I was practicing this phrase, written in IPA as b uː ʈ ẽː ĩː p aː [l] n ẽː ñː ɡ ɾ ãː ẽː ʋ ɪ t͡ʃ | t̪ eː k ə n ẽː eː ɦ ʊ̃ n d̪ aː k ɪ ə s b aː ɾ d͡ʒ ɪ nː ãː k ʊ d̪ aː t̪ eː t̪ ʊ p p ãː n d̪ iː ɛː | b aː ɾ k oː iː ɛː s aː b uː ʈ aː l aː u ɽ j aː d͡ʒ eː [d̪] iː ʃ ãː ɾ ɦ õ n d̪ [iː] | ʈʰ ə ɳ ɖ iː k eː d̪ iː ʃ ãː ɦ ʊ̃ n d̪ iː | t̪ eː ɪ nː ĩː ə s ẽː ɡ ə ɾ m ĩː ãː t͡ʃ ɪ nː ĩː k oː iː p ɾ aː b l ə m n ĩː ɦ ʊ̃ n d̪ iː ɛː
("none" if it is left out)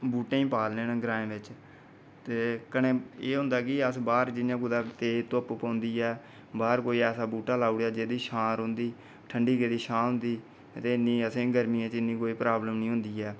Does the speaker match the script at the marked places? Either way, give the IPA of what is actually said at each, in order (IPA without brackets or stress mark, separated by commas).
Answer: l, d̪, iː